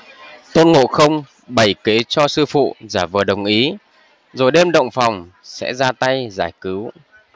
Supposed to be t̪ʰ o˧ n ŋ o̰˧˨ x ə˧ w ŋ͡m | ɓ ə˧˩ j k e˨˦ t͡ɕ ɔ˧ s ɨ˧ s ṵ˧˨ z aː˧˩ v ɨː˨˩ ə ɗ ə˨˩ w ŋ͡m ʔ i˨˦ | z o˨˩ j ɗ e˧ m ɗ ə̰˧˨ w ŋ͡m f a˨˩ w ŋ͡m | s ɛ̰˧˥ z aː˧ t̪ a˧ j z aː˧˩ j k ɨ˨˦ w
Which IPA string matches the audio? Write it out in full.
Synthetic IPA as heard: t̪ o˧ n ŋ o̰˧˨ x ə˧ w ŋ͡m | ɓ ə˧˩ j k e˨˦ t͡ɕ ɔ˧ s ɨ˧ f ṵ˧˨ z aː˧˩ v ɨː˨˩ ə ɗ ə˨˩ w ŋ͡m ʔ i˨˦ | z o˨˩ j ɗ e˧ m ɗ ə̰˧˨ w ŋ͡m f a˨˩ w ŋ͡m | s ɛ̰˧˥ z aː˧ t̪ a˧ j z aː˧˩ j k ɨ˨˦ w